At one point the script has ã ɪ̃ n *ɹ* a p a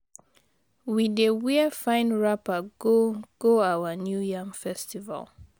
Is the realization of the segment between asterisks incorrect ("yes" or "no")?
no